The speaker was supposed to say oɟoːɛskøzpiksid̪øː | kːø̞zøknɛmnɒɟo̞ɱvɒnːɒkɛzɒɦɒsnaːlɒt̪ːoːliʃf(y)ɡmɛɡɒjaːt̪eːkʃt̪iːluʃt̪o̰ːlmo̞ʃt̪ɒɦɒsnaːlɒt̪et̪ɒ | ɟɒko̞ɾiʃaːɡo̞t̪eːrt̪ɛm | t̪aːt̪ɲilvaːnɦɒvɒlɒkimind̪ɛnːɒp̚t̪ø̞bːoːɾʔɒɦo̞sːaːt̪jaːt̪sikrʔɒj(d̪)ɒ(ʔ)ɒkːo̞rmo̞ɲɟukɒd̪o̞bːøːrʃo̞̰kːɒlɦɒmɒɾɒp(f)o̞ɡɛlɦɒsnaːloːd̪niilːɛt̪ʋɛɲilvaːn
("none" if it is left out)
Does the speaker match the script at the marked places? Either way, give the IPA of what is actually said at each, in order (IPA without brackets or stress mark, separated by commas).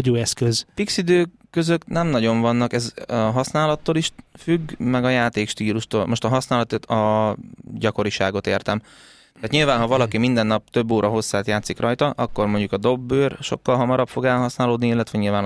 y, t̪, ʔ, f